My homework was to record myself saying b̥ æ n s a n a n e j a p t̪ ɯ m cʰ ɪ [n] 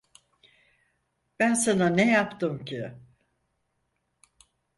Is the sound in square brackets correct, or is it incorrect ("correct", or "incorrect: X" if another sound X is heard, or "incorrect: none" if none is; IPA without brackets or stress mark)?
incorrect: none